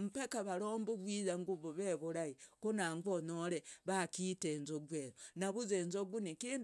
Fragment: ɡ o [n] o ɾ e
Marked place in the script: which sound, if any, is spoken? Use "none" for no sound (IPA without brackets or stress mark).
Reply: n